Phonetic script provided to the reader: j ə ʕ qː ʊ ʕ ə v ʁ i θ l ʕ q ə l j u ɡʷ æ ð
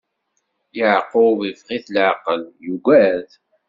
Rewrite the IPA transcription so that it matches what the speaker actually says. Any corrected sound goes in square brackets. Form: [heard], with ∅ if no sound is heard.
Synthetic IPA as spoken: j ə ʕ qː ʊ [v] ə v ʁ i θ l ʕ q ə l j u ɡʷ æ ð